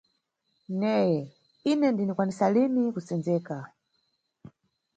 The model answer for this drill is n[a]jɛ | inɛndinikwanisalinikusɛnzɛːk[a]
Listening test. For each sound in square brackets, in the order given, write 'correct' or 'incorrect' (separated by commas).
incorrect, correct